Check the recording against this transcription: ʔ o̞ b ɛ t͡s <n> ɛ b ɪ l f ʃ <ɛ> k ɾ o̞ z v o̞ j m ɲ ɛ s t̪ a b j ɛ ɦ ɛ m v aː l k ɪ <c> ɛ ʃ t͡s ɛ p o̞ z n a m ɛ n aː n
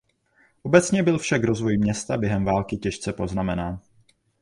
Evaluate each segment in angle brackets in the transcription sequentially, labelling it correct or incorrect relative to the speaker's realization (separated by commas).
incorrect, incorrect, correct